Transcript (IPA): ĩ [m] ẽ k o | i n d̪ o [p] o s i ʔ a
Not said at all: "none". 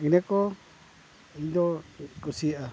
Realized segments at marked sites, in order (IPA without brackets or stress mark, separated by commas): n, k